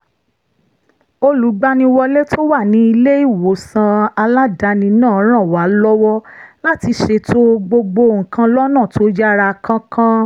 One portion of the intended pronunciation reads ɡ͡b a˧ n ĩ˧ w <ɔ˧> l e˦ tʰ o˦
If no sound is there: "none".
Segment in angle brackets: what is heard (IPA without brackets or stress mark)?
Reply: ɔ˧